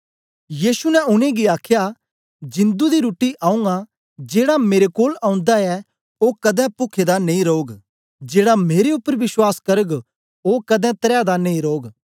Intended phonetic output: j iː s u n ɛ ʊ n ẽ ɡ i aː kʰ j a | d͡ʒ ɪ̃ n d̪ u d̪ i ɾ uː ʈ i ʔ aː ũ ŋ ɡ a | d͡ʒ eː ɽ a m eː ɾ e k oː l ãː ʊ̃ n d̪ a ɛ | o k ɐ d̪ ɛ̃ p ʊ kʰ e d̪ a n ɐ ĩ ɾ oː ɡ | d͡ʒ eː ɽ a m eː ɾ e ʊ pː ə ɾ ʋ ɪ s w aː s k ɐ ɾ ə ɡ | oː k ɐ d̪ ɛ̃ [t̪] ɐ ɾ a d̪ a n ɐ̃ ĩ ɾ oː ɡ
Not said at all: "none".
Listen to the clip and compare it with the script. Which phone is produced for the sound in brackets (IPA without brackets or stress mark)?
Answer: t̪